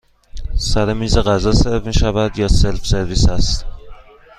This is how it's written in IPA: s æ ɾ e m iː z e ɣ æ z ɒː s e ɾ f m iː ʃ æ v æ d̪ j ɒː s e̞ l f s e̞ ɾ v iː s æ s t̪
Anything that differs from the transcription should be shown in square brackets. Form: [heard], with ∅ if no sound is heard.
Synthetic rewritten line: s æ ɾ e m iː z e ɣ æ z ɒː s e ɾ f m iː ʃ æ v æ d̪ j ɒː s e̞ l f s e̞ ɾ v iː s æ s t̪

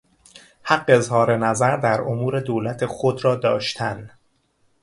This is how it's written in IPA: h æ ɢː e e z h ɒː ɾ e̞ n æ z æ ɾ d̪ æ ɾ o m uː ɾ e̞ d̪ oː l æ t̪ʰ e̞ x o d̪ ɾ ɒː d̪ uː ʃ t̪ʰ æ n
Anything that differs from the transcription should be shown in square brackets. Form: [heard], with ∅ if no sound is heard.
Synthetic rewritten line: h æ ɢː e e z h ɒː ɾ e̞ n æ z æ ɾ d̪ æ ɾ o m uː ɾ e̞ d̪ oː l æ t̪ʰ e̞ x o d̪ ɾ ɒː d̪ [ɒː] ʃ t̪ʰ æ n

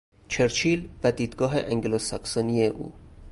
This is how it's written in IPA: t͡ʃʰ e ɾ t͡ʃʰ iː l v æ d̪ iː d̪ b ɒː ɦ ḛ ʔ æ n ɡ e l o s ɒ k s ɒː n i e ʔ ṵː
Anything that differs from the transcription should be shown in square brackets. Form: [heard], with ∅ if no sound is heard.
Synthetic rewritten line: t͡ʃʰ e ɾ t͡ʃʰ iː l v æ d̪ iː d̪ [ɡ] ɒː ɦ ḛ ʔ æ [ŋ] ɡ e l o s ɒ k s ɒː n i e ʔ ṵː

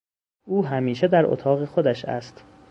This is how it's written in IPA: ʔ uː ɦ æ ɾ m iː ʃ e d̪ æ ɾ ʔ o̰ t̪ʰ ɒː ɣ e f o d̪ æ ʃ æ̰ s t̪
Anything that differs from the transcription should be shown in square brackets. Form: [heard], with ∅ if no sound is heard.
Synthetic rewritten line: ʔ uː ɦ æ [∅] m iː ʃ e d̪ æ ɾ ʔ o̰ t̪ʰ ɒː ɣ e [x] o d̪ æ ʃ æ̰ s t̪

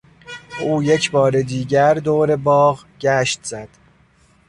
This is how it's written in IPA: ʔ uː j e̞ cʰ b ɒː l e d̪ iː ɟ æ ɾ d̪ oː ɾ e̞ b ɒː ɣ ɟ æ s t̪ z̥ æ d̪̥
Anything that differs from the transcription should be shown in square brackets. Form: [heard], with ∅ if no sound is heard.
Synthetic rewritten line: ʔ uː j e̞ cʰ b ɒː [ɾ] e d̪ iː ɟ æ ɾ d̪ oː ɾ e̞ b ɒː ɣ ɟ æ [ʃ] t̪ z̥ æ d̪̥

